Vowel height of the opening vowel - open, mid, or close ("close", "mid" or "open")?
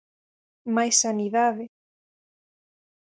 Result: open